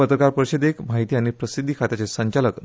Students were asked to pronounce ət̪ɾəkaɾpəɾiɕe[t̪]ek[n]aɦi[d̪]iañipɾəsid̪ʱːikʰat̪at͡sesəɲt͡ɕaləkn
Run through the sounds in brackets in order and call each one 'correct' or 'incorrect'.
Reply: incorrect: d̪, incorrect: m, incorrect: t̪

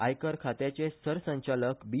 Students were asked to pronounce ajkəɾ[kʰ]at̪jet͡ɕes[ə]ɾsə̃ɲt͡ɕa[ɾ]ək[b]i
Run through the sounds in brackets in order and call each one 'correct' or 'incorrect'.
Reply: correct, correct, incorrect: l, correct

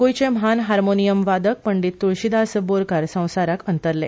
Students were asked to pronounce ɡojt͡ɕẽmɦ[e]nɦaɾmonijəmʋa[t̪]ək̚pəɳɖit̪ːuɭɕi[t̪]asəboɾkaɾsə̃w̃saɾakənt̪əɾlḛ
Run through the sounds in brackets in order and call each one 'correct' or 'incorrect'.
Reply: incorrect: a, incorrect: d̪, incorrect: d̪

